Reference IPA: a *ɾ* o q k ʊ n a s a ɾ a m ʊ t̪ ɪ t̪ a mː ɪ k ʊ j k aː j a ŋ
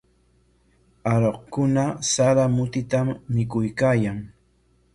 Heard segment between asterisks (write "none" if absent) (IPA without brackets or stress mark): ɾ